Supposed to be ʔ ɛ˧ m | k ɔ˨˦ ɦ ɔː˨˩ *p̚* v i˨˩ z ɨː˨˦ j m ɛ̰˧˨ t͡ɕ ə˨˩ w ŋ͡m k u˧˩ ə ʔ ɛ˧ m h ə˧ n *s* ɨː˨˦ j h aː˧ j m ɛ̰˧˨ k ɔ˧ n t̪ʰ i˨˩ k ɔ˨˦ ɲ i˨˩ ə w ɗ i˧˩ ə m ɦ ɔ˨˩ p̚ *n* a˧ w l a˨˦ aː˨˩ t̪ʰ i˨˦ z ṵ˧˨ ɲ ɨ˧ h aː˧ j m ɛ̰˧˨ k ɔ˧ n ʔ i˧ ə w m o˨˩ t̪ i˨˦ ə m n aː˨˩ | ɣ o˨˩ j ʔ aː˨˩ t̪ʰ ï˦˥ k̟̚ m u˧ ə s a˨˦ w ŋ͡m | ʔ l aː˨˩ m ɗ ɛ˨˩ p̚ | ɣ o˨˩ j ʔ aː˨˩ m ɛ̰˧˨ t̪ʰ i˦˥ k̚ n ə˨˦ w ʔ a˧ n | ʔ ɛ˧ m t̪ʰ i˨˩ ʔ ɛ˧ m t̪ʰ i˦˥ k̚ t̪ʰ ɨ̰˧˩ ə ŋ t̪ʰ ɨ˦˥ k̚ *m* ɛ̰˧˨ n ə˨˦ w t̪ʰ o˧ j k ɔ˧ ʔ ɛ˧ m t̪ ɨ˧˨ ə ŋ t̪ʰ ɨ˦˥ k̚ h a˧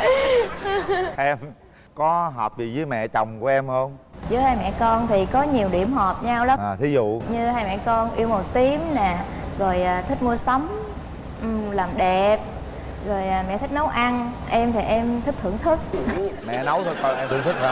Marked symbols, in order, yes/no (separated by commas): yes, no, no, yes